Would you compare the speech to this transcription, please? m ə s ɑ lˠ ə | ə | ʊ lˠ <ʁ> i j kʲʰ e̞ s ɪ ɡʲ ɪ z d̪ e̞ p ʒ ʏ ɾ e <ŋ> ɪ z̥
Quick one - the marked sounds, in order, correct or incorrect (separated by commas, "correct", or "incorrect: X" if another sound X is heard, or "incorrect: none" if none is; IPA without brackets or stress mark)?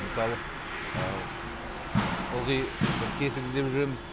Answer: correct, incorrect: m